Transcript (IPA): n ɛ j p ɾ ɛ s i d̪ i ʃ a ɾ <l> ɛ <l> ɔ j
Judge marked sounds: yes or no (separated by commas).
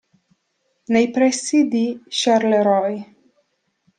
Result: yes, no